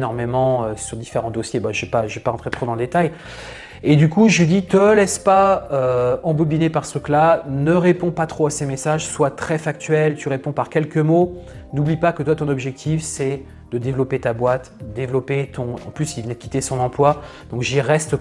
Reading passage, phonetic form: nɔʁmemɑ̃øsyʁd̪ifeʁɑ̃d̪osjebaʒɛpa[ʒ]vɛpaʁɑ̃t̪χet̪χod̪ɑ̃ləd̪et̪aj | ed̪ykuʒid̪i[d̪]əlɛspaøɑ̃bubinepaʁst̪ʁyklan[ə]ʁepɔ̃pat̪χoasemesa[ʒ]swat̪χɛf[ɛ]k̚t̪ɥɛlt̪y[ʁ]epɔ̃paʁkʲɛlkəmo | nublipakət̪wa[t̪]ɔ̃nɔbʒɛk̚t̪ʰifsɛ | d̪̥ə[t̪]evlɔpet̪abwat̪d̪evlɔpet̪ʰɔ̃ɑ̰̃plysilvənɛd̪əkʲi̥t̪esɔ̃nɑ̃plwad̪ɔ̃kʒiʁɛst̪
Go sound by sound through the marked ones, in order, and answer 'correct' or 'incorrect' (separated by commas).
correct, incorrect, correct, correct, incorrect, correct, correct, incorrect